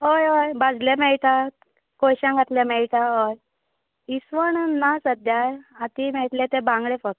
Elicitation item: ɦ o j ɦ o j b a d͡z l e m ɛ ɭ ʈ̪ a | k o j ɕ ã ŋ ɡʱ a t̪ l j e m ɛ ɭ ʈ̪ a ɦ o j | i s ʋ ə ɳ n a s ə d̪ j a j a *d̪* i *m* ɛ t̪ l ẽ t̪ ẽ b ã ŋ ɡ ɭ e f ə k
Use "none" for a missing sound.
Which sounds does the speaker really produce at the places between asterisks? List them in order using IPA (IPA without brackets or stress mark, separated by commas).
t̪, m